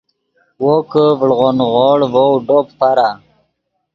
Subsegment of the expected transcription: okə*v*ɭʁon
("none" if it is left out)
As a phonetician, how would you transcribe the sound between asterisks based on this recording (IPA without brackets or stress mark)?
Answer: v